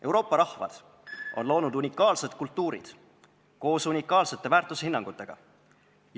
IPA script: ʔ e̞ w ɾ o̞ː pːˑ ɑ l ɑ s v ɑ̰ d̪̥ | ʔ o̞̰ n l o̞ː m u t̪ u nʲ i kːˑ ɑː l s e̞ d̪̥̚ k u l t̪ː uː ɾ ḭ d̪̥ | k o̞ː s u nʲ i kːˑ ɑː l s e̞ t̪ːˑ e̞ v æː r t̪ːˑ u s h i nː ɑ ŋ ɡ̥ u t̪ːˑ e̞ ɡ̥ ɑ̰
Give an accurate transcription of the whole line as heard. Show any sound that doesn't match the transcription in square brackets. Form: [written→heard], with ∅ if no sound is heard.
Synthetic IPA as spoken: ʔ e̞ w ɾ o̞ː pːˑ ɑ [l→ɾ] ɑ [s→h] v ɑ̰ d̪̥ | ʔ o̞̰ n l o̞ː [m→n] u [t̪→d̪] u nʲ i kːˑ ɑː l s e̞ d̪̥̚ k u l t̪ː uː ɾ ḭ d̪̥ | k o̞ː s u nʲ i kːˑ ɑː l s e̞ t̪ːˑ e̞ v æː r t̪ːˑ u s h i nː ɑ ŋ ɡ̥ u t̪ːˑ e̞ ɡ̥ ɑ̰